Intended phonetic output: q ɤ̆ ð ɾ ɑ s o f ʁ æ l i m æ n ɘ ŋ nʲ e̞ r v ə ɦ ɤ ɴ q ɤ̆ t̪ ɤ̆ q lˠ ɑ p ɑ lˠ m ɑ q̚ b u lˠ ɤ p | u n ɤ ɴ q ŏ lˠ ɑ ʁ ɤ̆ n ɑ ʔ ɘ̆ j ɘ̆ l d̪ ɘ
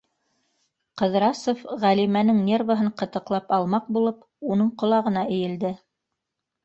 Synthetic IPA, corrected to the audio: q ɤ̆ ð ɾ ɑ s o f ʁ æ l i m æ n ɘ ŋ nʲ e̞ r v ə ɦ ɤ ɴ q ɤ̆ t̪ ɤ̆ q lˠ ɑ p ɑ lˠ m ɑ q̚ b u lˠ ɤ p | u n ɤ ɴ q ŏ lˠ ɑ ʁ ɤ̆ n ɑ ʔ ɘ̆ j ɘ̆ l d̪ ɘ